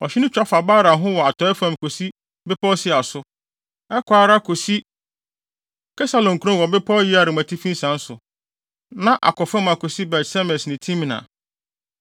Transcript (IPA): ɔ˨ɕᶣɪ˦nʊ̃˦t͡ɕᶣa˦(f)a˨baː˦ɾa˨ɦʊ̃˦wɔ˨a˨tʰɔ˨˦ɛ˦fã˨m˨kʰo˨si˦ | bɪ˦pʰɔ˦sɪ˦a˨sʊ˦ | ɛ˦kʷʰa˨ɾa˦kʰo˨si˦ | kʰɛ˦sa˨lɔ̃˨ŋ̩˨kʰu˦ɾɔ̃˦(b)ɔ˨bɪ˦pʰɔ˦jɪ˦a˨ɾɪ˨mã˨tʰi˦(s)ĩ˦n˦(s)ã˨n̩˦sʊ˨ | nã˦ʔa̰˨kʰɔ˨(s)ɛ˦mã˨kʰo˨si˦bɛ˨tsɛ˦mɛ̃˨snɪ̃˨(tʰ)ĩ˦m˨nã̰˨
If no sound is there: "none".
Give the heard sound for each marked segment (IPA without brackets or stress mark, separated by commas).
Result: f, w, f, s, f, tʰ